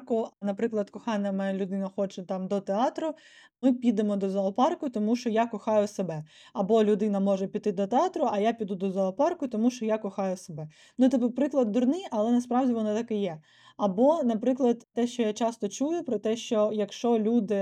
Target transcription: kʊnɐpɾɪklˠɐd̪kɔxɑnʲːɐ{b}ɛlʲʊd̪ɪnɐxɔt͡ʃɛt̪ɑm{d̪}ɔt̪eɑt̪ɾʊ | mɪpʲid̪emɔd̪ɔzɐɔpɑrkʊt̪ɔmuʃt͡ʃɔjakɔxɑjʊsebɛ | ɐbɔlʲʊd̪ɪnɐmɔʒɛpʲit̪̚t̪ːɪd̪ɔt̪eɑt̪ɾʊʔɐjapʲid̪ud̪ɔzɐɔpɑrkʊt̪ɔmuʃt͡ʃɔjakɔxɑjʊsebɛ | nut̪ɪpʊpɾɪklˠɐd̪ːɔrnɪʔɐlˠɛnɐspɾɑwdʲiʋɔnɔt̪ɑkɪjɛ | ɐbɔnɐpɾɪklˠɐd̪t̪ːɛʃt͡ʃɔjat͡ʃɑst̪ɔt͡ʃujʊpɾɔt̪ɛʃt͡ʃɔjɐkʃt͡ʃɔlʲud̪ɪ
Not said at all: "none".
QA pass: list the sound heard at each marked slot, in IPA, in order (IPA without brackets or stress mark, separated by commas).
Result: m, d̪